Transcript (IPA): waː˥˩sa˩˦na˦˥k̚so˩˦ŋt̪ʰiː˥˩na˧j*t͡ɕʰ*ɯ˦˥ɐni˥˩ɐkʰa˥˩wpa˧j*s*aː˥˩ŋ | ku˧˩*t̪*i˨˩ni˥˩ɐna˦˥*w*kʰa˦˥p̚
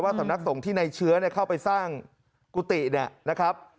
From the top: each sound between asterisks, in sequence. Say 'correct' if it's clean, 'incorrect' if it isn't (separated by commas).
correct, correct, correct, incorrect